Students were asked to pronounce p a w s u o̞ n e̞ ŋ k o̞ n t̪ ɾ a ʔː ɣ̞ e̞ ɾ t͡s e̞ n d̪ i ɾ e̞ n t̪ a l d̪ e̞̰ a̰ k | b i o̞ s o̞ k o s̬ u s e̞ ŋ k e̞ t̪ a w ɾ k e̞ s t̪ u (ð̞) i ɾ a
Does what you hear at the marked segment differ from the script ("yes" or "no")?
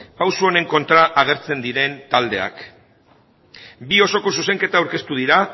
no